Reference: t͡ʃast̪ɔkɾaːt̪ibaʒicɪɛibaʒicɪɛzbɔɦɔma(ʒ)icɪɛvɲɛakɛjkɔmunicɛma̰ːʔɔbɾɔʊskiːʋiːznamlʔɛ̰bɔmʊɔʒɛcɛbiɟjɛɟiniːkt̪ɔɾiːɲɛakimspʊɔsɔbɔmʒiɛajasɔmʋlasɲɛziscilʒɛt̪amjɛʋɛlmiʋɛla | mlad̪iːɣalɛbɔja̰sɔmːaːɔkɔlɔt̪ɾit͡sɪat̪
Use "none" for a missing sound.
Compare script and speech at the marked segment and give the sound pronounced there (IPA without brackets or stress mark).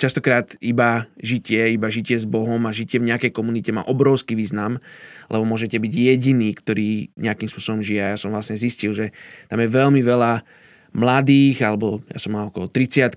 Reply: ʒ